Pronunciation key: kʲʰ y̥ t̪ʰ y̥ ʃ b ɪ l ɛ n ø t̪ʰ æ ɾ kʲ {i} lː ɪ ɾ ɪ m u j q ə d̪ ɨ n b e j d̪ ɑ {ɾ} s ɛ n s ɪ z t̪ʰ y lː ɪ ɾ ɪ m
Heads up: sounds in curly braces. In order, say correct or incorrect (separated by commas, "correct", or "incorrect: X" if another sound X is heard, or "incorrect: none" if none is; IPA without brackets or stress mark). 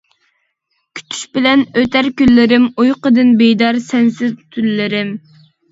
incorrect: y, correct